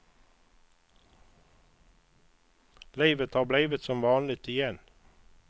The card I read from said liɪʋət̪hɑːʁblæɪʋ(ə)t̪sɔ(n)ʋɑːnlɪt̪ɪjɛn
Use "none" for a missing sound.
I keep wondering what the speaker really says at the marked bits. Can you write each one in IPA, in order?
ə, m

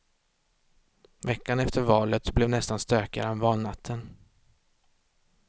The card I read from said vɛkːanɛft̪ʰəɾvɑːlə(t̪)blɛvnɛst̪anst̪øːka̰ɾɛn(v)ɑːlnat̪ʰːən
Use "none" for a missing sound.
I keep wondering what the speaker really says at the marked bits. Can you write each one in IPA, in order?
t̪, v

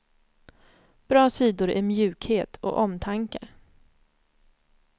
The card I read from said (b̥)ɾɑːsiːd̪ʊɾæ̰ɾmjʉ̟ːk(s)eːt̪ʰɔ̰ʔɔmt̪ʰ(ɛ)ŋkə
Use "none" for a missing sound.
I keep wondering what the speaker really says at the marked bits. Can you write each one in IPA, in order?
b̥, h, a

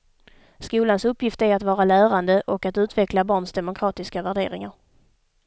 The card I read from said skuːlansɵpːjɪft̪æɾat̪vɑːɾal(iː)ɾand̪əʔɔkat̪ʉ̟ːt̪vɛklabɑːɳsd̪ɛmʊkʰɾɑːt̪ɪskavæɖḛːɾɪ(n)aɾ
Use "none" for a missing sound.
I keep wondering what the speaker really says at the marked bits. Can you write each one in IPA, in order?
æː, ŋ

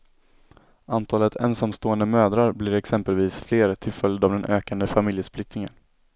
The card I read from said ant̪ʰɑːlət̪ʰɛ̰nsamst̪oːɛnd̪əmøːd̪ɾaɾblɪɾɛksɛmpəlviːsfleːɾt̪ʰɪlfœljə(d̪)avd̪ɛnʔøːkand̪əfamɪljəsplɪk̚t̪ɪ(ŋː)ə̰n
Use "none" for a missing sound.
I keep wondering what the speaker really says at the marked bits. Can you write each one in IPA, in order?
d̪, ŋ

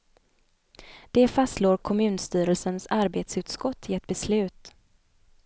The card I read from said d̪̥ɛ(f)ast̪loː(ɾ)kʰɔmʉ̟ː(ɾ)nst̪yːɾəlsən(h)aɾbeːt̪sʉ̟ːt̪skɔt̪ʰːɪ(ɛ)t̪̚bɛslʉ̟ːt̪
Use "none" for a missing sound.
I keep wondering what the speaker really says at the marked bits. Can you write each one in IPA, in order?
f, ɾ, none, s, ɛ

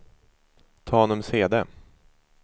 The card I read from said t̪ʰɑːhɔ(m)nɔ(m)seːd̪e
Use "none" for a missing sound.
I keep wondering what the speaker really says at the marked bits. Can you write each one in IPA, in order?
none, m

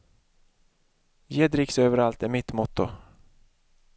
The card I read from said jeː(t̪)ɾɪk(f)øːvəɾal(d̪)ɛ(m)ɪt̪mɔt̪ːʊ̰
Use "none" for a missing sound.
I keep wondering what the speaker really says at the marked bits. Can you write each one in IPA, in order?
d̪, s, t̪, m

